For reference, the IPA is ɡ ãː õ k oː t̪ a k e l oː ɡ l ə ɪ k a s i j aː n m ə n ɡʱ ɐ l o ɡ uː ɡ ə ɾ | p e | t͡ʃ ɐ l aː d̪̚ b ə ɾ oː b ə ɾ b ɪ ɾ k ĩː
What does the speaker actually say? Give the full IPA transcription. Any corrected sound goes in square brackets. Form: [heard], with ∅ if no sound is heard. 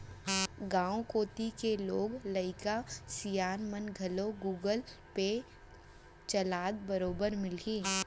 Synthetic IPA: ɡ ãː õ k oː t̪ [i] k e l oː ɡ l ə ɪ k a s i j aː n m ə n ɡʱ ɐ l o ɡ uː ɡ ə [l] | p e | t͡ʃ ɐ l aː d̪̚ b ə ɾ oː b ə ɾ [m] ɪ [l] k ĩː